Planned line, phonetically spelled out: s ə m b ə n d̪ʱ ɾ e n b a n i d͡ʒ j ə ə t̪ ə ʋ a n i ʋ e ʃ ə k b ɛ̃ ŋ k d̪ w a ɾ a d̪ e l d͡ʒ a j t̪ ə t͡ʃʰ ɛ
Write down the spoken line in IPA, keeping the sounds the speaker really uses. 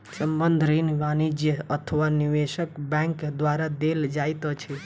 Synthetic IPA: s ə m b ə n d̪ʱ ɾ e n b a n i d͡ʒ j ə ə t̪ʰ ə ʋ a n i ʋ e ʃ ə k b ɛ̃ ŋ k d̪ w a ɾ a d̪ e l d͡ʒ a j t̪ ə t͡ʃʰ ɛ